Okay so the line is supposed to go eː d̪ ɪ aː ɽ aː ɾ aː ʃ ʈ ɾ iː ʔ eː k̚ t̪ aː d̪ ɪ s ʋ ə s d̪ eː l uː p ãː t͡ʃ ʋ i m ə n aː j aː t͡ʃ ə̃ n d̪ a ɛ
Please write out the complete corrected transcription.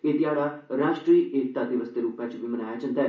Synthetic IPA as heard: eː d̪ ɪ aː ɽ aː ɾ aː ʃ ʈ ɾ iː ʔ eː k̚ t̪ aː d̪ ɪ ʋ ə s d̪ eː ɾ uː p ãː t͡ʃ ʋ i m ə n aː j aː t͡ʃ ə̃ n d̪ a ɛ